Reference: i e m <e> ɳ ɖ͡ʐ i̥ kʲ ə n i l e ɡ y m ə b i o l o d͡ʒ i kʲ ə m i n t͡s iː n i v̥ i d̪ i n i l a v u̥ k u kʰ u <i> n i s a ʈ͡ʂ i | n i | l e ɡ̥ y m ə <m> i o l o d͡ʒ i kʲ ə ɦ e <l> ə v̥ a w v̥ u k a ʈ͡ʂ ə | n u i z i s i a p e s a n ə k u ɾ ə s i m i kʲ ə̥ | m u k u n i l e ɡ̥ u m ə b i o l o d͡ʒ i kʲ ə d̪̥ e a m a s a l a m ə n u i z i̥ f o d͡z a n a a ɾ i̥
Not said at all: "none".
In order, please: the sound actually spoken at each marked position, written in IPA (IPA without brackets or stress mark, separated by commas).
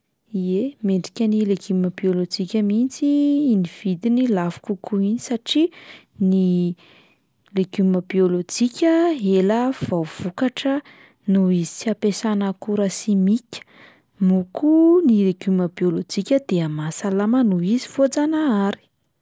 e, i, b, l